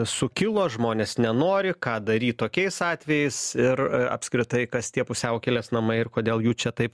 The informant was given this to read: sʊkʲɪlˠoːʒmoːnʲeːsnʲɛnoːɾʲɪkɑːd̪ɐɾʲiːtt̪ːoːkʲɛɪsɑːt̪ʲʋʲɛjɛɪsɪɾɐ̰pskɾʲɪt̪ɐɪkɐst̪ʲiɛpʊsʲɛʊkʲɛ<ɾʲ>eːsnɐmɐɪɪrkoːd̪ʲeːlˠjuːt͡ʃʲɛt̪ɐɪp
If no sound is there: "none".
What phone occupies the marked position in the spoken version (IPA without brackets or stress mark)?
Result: lʲ